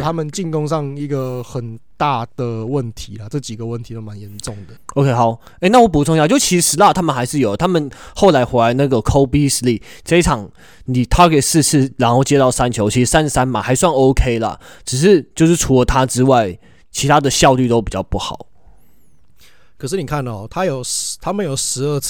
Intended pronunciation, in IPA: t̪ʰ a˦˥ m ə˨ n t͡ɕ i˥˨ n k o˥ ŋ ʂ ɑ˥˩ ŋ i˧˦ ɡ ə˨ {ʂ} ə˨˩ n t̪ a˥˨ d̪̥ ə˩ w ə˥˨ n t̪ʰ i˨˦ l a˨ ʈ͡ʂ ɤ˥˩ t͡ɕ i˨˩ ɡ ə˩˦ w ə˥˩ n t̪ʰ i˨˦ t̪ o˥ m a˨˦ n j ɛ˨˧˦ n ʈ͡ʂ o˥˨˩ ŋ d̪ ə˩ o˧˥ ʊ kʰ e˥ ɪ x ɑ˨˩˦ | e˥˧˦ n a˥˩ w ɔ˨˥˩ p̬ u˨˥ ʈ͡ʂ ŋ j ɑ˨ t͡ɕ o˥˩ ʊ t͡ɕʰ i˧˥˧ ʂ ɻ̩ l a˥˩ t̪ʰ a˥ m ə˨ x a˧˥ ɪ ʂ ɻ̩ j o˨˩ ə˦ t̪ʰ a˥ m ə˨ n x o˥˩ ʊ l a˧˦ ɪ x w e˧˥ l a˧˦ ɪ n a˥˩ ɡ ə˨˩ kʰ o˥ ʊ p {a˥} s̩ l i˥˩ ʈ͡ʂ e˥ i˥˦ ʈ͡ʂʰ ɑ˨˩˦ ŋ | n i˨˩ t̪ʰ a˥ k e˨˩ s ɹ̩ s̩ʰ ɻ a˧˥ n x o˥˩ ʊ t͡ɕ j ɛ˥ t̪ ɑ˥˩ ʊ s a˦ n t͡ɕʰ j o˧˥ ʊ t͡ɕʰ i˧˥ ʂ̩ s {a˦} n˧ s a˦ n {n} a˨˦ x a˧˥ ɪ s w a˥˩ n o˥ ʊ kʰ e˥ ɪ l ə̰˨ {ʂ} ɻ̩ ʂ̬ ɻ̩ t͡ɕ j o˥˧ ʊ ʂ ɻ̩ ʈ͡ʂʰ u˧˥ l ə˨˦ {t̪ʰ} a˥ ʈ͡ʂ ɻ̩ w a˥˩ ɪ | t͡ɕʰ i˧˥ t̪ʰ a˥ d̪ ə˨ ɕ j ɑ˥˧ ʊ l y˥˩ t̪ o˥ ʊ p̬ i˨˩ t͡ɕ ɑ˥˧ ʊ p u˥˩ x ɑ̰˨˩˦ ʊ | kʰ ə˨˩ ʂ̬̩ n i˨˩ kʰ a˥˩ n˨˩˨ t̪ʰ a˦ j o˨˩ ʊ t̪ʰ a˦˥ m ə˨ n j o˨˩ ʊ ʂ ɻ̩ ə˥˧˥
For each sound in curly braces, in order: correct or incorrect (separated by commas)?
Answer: incorrect, incorrect, correct, incorrect, incorrect, correct